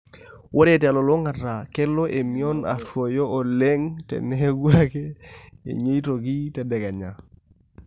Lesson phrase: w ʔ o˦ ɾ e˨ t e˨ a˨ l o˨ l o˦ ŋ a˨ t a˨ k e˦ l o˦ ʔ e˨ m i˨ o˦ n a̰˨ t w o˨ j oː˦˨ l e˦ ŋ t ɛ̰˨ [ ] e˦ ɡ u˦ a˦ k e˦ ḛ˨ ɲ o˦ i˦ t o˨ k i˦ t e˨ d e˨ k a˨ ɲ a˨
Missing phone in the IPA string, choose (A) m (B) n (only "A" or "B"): B